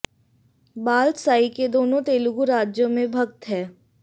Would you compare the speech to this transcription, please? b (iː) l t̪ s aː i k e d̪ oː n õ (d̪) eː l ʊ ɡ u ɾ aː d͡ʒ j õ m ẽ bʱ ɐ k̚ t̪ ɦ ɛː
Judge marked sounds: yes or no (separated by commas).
no, no